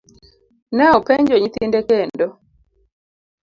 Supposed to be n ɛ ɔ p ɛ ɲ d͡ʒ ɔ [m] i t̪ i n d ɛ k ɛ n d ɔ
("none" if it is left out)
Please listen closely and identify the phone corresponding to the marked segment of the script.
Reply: ɲ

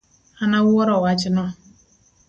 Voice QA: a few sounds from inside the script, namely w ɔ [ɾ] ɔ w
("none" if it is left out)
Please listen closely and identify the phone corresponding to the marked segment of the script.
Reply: ɾ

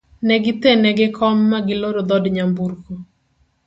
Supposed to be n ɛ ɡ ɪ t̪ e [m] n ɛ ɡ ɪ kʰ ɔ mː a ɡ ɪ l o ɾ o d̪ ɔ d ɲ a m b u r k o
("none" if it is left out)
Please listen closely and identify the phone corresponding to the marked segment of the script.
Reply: none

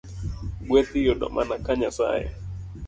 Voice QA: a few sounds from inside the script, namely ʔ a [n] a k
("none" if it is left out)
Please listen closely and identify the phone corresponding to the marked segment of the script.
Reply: n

